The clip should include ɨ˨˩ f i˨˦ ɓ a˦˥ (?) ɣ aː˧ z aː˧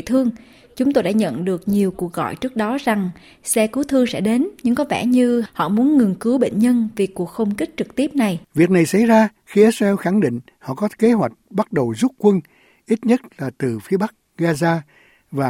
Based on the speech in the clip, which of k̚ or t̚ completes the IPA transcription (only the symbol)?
k̚